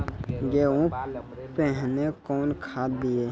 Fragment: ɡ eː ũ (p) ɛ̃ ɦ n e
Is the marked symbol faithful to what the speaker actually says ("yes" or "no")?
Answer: yes